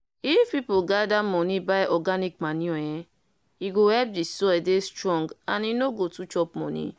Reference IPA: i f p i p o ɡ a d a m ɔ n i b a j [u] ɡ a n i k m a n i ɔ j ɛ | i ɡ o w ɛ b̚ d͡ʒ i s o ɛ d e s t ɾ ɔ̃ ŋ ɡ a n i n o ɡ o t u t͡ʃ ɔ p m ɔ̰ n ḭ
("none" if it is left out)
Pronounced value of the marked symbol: ɔ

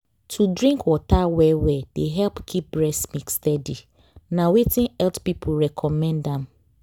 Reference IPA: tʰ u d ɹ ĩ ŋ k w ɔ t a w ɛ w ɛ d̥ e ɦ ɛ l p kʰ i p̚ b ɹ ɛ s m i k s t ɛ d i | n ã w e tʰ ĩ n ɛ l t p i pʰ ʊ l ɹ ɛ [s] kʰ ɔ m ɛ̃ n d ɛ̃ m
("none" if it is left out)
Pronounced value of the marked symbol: none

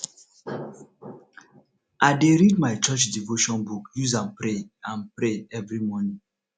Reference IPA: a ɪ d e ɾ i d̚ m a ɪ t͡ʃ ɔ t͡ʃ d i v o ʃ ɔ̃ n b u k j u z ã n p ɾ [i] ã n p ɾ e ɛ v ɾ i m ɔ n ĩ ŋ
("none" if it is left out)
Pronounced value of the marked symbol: e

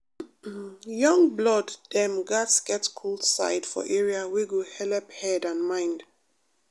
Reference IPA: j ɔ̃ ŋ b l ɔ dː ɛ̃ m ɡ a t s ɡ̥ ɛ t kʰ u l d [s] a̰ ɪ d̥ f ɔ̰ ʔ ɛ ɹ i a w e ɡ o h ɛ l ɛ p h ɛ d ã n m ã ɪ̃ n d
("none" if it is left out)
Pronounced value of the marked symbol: s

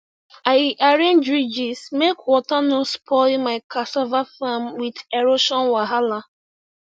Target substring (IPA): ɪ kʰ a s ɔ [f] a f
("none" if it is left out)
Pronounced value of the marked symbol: v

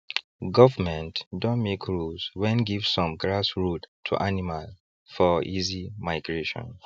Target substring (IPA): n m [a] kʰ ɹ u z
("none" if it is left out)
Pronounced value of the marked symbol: e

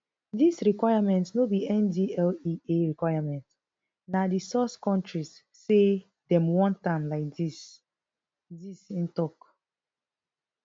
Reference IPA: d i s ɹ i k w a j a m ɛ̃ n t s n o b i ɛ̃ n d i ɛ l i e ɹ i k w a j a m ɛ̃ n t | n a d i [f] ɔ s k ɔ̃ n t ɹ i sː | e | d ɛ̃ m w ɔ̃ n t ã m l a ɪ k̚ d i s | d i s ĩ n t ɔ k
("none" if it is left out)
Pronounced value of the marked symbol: s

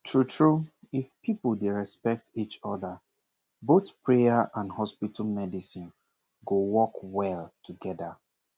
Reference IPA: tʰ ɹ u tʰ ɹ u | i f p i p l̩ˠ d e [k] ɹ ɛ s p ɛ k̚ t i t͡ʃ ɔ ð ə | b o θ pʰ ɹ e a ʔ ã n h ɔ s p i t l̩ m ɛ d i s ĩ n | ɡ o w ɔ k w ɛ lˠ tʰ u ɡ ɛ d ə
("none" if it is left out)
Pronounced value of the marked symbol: none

